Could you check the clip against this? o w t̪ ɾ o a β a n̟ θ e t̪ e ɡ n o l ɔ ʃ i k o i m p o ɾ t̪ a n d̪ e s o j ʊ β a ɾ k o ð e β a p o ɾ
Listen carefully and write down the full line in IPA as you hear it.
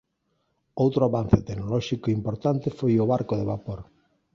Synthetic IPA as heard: o w t̪ ɾ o a β a n̟ θ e t̪ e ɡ n o l ɔ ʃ i k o i m p o ɾ t̪ a n t̪ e f o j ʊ β a ɾ k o ð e β a p o ɾ